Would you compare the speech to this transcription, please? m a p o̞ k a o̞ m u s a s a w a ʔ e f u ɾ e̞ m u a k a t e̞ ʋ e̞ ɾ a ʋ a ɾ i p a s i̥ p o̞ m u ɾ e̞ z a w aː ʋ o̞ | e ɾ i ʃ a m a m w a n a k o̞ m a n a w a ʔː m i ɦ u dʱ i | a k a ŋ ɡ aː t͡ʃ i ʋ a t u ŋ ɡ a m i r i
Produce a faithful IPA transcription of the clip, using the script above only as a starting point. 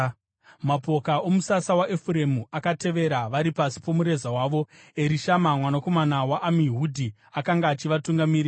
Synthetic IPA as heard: m a p o̞ k a o̞ m u s a s a w a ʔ e f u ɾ e̞ m u a k a t e̞ ʋ e̞ ɾ a ʋ a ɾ i p a s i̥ p o̞ m u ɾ e̞ z a w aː ʋ o̞ | e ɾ i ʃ a m a m w a n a k o̞ m a n a w a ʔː m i ɦ u dʱ i | a k a ŋ ɡ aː t͡ʃ i ʋ a t u ŋ ɡ a m i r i